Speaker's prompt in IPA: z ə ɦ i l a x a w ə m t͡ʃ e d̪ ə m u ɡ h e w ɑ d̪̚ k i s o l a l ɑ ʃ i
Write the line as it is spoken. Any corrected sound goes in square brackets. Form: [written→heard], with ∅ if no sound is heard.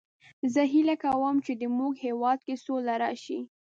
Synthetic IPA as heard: z ə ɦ i l a [x→k] a w ə m t͡ʃ e d̪ ə m u ɡ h e w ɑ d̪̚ k [i→e] s o l a [l→ɾ] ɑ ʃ i